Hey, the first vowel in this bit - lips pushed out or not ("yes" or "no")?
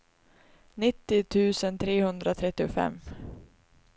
no